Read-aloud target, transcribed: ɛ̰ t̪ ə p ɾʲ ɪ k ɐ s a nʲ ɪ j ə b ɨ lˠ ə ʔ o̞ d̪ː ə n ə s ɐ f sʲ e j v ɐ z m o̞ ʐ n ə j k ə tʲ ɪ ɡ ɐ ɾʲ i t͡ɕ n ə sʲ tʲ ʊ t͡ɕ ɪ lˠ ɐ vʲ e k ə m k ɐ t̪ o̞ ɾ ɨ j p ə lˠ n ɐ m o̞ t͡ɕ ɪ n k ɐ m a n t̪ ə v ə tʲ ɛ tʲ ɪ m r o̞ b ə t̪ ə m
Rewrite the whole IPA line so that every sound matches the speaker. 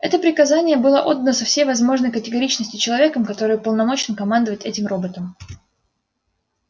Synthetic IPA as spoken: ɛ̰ t̪ ə p ɾʲ ɪ k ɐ z a nʲ ɪ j ə b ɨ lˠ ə ʔ o̞ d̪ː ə n ə s ɐ f sʲ e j v ɐ z m o̞ ʐ n ə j k ə tʲ ɪ ɡ ɐ ɾʲ i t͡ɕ n ə sʲ tʲ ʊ t͡ɕ ɪ lˠ ɐ vʲ e k ə m k ɐ t̪ o̞ ɾ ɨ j p ə lˠ n ɐ m o̞ t͡ɕ ɪ n k ɐ m a n d̪ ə v ə tʲ ɛ tʲ ɪ m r o̞ b ə t̪ ə m